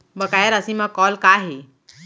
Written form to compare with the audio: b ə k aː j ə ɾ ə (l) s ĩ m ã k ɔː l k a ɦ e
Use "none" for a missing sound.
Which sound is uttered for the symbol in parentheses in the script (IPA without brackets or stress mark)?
none